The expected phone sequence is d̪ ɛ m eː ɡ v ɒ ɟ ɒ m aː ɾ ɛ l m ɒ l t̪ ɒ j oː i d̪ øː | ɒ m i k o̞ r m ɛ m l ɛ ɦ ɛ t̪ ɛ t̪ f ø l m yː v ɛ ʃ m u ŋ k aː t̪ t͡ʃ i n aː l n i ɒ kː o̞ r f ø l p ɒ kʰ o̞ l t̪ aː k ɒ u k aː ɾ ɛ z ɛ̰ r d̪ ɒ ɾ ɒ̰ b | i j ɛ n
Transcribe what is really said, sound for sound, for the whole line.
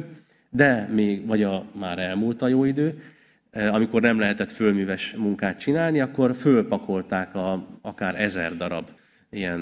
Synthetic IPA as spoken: d̪ ɛ m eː ɡ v ɒ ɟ ɒ m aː ɾ ɛ l m u l t̪ ɒ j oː i d̪ øː | ɒ m i k o̞ r n ɛ m l ɛ ɦ ɛ t̪ ɛ t̪ f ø l m yː v ɛ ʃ m u ŋ k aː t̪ t͡ʃ i n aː l n i ɒ kː o̞ r f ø l p ɒ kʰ o̞ l t̪ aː k ɒ ɒ k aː ɾ ɛ z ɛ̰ r d̪ ɒ ɾ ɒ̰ b | i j ɛ n